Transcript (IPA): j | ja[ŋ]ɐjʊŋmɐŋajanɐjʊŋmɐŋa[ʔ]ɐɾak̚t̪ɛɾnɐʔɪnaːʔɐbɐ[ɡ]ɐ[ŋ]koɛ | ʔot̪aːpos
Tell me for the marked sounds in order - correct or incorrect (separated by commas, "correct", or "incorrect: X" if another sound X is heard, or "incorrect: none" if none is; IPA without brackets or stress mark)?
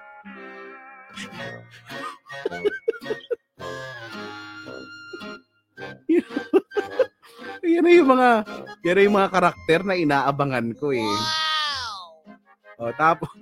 incorrect: n, incorrect: k, incorrect: ŋ, incorrect: n